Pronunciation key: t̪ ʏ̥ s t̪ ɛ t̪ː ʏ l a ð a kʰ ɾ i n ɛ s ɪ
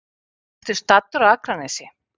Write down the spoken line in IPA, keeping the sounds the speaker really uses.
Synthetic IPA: t̪ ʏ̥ s t̪ a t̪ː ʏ ɾ a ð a k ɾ a n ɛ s ɪ